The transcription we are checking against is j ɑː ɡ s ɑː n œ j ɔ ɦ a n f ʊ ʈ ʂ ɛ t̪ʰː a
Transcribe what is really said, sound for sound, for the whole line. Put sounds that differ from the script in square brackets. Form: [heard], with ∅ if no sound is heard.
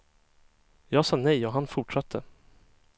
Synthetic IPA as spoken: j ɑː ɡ s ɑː n [ɛ] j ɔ ɦ a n f ʊ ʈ ʂ [a] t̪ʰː [ə]